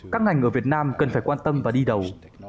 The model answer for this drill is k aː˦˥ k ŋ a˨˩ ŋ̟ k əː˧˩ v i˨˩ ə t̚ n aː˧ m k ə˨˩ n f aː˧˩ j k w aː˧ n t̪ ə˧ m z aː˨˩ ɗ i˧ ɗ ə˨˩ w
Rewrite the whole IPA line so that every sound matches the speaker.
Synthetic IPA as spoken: k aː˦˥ k ŋ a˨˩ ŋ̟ ʔ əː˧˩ v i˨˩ ə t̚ n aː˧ m k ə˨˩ n f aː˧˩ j k w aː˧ n t̪ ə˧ m v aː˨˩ ɗ i˧ ɗ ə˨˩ w